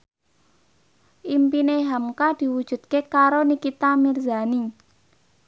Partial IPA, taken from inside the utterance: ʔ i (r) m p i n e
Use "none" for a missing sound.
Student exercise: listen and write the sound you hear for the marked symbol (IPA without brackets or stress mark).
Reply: none